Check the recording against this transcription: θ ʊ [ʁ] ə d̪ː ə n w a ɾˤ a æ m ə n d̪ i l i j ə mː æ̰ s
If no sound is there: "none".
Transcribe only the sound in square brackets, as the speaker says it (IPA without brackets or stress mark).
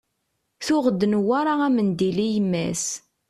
ʁ